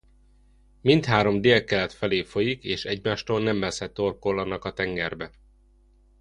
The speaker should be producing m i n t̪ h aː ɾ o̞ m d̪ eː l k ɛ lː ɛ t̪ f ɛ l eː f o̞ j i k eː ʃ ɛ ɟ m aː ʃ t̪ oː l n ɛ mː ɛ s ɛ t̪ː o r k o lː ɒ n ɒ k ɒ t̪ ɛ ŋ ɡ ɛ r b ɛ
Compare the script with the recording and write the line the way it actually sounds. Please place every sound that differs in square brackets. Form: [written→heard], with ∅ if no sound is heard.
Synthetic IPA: m i n t̪ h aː ɾ o̞ m d̪ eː l k ɛ [lː→l] ɛ t̪ f ɛ l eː f o̞ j i k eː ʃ ɛ ɟ m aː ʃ t̪ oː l n ɛ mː ɛ s ɛ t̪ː o r k o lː ɒ n ɒ k ɒ t̪ ɛ ŋ ɡ ɛ r b ɛ